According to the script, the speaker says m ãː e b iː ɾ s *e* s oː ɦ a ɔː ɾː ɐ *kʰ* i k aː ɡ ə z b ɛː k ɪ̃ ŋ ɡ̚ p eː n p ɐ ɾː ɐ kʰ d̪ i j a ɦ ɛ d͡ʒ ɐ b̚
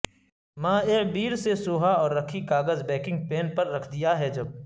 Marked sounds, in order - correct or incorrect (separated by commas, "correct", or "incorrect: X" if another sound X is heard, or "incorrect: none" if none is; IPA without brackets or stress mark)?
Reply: correct, correct